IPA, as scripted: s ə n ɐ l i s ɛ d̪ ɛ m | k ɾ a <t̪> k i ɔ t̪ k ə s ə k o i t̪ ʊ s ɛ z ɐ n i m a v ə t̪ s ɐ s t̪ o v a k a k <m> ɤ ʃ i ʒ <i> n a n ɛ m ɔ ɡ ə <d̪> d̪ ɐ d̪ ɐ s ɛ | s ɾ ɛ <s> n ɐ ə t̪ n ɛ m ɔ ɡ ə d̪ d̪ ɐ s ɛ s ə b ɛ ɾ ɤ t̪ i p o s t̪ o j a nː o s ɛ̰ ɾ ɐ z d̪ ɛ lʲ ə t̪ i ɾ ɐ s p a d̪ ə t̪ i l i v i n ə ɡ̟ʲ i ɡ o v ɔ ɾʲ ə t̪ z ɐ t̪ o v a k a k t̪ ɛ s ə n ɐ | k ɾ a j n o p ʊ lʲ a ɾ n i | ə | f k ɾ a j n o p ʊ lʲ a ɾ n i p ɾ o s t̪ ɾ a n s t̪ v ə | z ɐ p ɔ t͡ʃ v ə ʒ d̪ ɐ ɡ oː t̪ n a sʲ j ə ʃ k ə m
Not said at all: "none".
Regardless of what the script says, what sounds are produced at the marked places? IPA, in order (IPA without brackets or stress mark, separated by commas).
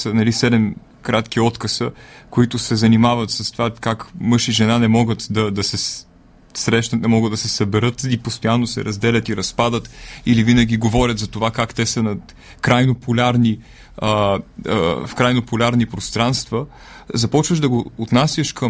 t̪, m, ɛ, t̪, ʃ